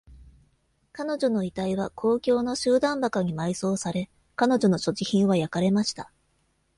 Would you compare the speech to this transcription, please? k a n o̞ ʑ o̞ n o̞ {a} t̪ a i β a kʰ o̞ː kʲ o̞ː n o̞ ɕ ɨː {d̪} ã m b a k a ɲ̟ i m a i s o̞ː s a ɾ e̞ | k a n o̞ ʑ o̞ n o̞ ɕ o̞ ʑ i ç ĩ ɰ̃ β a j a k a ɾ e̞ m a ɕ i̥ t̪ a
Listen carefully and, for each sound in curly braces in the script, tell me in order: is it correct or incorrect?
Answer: incorrect, correct

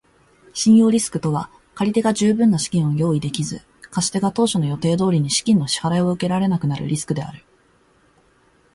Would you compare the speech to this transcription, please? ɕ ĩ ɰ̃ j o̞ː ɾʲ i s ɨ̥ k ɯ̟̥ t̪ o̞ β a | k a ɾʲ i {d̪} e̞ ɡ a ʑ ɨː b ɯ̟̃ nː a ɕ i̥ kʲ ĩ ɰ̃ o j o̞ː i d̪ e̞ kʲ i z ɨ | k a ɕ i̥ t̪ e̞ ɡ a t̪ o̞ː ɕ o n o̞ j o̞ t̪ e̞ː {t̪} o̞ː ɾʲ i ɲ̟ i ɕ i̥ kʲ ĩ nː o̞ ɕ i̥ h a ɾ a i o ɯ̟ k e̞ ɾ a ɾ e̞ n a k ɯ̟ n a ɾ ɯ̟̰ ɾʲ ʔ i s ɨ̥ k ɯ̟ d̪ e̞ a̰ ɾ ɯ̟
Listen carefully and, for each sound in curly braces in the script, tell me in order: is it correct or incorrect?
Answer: incorrect, incorrect

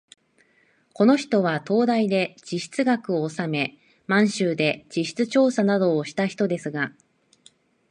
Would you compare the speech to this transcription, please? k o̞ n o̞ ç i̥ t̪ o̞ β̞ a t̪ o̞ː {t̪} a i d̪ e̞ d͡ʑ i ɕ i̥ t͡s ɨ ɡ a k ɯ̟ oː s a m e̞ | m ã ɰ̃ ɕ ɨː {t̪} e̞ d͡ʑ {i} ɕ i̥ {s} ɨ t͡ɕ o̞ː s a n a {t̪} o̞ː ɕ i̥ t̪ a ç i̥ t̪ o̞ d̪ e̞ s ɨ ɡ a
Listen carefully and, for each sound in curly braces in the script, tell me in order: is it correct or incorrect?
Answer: incorrect, incorrect, correct, incorrect, incorrect

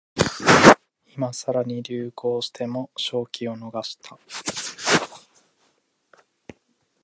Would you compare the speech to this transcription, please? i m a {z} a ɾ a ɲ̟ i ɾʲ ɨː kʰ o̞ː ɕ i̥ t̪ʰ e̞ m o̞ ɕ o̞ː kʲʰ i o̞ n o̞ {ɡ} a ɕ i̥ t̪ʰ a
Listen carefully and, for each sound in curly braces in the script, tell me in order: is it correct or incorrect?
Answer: incorrect, correct

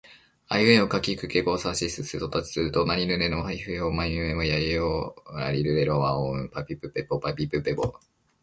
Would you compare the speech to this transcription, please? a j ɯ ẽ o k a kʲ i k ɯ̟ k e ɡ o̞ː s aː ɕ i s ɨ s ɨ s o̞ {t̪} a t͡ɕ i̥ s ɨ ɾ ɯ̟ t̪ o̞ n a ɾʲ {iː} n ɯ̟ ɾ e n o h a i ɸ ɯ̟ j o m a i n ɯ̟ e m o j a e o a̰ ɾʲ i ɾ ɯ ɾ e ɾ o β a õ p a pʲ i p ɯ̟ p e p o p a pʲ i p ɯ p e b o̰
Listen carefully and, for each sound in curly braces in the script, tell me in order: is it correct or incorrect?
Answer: correct, incorrect

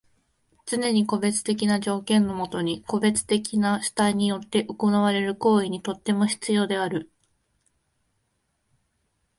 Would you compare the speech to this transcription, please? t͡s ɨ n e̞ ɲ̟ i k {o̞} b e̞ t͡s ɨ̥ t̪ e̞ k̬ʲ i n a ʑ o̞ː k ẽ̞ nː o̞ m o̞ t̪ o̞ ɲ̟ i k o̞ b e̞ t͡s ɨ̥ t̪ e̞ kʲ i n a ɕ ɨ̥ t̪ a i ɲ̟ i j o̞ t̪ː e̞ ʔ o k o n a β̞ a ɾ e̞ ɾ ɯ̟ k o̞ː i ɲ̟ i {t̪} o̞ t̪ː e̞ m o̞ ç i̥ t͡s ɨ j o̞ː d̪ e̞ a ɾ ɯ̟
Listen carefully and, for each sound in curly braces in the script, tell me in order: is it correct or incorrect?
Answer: correct, correct

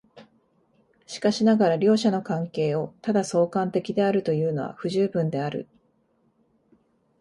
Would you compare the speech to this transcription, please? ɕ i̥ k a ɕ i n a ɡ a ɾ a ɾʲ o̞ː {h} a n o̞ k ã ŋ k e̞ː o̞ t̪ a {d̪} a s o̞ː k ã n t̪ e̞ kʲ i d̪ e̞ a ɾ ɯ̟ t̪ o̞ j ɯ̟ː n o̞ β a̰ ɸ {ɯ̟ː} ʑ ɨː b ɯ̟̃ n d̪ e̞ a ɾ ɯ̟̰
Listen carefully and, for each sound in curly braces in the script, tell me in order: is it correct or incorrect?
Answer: incorrect, correct, incorrect

